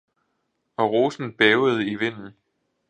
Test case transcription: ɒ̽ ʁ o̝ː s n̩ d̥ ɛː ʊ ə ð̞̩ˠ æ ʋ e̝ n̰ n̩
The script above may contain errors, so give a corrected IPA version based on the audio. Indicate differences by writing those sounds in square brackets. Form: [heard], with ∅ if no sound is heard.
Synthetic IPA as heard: ɒ̽ ʁ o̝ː s n̩ [b̥] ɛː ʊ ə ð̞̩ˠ [i] ʋ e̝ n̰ n̩